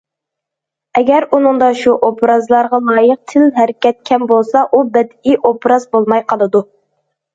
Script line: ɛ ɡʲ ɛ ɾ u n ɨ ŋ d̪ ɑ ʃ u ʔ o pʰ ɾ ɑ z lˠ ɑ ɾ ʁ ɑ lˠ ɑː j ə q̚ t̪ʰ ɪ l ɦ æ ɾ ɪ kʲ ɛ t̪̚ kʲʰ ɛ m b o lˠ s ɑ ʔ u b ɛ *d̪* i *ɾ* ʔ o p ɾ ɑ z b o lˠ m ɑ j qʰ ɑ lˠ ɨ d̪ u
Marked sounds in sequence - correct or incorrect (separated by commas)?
correct, incorrect